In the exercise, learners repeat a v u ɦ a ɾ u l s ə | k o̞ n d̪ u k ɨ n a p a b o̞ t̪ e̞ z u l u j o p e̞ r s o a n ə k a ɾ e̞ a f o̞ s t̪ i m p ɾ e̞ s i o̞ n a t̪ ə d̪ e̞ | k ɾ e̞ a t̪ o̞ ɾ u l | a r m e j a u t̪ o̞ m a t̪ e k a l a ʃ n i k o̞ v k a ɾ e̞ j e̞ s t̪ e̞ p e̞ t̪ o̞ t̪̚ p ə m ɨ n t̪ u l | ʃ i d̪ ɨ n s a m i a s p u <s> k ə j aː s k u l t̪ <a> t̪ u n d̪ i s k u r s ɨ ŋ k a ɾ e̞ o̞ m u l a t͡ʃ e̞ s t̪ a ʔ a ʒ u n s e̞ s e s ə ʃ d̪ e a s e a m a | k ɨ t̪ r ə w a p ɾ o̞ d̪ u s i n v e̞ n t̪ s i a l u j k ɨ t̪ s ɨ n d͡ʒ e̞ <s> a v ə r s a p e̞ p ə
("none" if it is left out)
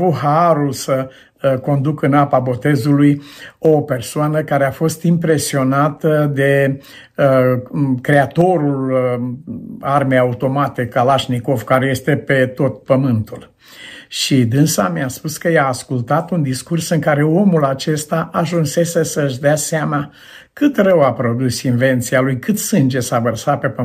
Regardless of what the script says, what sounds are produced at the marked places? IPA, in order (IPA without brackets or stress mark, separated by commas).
s, a, s